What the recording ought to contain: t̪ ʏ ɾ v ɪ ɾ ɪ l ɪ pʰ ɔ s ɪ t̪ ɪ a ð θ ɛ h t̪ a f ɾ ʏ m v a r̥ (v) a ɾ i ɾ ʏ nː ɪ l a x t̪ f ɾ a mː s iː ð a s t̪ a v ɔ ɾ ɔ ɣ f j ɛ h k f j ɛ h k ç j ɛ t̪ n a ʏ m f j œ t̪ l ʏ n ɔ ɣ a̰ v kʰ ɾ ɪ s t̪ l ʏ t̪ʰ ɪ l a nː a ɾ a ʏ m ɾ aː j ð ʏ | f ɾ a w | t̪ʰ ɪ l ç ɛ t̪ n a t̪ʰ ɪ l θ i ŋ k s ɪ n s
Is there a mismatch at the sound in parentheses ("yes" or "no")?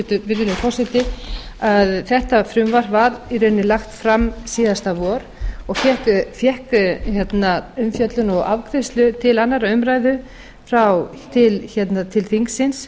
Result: no